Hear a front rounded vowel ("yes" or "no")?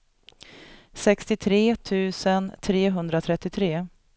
no